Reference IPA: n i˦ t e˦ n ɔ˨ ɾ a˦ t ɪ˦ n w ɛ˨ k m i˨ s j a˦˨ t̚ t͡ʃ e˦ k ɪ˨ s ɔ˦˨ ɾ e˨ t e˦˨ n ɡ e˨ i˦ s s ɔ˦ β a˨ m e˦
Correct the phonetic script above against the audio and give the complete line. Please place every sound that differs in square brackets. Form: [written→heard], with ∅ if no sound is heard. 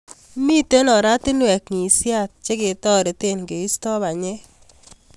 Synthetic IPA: [n→m] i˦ t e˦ n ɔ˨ ɾ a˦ t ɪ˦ n w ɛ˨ k [m→ŋ] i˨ s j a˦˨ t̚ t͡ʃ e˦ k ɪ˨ [s→t] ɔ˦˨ ɾ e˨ t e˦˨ n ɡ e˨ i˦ s [s→t] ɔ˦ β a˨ [m→ɲ] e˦